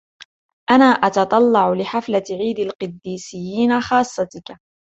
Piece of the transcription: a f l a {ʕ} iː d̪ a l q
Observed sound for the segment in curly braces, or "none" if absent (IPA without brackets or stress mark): ʕ